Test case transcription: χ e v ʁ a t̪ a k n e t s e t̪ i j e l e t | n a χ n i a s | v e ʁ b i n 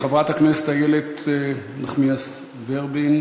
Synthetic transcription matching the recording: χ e v ʁ a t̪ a k n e s e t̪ a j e l e t | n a χ m i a s | v e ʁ b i n